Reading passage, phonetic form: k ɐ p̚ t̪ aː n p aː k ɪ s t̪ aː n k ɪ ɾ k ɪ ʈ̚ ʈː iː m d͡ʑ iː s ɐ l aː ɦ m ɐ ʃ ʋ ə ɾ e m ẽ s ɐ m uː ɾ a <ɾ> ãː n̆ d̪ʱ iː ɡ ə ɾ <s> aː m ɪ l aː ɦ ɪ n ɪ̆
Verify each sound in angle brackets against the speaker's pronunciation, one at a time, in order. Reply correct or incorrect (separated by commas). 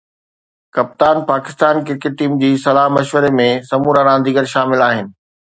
correct, incorrect